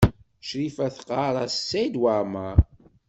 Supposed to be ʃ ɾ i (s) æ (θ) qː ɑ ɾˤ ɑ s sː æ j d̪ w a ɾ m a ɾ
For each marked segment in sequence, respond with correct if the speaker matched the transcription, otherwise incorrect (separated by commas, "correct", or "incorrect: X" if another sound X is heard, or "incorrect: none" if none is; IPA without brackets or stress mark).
incorrect: f, correct